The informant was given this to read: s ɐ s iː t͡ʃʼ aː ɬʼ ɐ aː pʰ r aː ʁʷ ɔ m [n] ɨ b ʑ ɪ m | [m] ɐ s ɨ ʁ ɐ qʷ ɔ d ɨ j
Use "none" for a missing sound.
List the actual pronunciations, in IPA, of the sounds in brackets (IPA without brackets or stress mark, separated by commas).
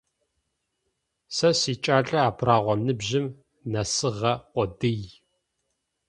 n, n